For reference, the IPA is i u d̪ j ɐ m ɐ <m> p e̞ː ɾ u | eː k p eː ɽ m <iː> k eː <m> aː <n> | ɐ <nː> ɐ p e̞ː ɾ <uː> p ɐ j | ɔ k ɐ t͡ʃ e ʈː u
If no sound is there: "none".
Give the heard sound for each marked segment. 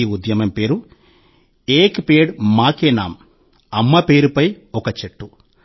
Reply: m, aː, n, m, mː, u

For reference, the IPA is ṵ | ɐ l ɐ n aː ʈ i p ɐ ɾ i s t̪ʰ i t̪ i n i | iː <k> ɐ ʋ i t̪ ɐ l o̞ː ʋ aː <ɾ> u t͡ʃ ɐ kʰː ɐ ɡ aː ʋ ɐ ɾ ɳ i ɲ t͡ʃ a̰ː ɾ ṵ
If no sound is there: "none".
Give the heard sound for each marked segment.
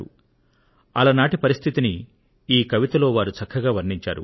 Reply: k, ɾ

